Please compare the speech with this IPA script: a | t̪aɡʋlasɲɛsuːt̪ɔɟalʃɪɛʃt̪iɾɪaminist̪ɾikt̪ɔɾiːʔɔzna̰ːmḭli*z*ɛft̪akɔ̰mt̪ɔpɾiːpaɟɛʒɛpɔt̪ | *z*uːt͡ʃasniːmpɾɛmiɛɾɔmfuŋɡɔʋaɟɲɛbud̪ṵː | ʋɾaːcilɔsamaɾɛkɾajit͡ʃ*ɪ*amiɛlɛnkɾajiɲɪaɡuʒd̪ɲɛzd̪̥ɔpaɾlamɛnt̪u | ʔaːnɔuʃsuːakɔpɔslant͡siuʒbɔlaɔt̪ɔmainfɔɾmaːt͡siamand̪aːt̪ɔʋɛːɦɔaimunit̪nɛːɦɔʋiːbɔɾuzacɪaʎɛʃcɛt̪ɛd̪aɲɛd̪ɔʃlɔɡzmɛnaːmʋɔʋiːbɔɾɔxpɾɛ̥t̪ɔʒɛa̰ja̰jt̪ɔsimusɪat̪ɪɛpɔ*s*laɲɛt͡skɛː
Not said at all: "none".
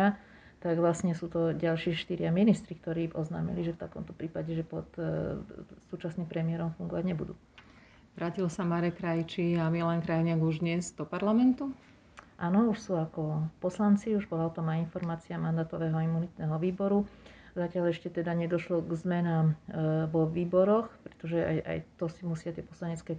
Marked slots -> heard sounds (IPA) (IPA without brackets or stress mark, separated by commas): ʒ, s, i, s